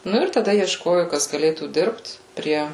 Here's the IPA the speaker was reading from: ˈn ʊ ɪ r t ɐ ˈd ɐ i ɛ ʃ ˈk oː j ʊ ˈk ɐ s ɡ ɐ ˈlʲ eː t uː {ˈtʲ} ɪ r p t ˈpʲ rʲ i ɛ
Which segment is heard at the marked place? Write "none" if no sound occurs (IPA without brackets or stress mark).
dʲ